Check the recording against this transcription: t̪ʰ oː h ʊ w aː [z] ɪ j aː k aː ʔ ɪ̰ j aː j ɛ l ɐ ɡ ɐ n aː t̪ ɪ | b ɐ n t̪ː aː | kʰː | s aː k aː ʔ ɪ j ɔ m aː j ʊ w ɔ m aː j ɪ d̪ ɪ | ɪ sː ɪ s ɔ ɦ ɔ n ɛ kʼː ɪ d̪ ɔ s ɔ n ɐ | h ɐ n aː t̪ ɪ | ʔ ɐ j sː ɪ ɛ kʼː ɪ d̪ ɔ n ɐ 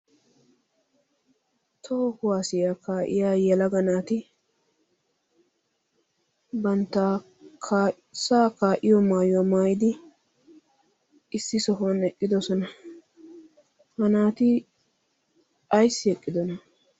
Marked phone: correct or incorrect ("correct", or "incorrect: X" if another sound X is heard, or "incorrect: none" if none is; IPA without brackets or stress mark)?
incorrect: s